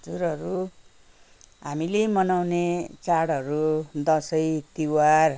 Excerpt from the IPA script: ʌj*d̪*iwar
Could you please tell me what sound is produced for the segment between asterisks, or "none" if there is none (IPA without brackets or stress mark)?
t̪